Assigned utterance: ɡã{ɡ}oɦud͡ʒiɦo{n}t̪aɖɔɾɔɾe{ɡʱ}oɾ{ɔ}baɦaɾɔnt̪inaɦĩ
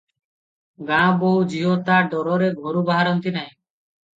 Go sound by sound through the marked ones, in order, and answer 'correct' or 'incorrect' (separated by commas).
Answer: incorrect, incorrect, correct, incorrect